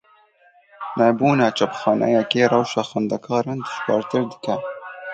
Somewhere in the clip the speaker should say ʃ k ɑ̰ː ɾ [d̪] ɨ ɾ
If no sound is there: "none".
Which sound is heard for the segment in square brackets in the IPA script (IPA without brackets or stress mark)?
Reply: t̪